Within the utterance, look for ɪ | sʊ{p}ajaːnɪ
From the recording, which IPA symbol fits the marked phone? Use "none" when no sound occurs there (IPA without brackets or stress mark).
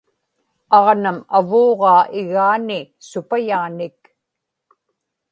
p